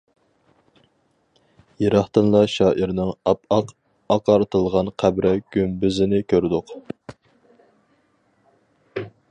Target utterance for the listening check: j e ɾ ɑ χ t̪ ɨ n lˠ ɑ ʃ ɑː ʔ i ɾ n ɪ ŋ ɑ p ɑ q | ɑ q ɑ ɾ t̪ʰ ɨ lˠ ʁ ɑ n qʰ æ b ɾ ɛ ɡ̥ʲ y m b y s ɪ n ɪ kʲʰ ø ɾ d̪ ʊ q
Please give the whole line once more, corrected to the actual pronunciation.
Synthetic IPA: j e ɾ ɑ χ t̪ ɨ n lˠ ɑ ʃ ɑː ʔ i ɾ n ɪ ŋ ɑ p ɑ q | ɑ q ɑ ɾ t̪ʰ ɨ lˠ ʁ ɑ n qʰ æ b ɾ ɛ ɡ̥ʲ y m b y z ɪ n ɪ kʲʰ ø ɾ d̪ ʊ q